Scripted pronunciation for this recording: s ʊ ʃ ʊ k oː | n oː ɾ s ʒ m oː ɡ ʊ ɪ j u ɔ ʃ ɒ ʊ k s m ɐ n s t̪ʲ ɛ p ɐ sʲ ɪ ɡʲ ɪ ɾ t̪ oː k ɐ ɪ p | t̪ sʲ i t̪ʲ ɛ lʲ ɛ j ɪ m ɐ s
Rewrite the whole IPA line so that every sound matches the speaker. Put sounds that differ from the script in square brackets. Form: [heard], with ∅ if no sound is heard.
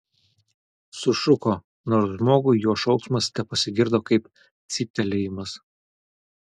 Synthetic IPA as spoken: s ʊ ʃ ʊ k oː | n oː ɾ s ʒ m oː ɡ ʊ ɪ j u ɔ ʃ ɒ ʊ k s m ɐ [∅] s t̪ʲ ɛ p ɐ sʲ ɪ ɡʲ ɪ ɾ [d̪] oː k ɐ ɪ p | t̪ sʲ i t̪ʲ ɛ lʲ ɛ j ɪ m ɐ s